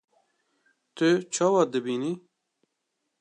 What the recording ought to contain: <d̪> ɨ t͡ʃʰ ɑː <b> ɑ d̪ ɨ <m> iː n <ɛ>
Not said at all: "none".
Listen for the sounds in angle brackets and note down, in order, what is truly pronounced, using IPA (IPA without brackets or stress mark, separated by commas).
t̪, w, b, i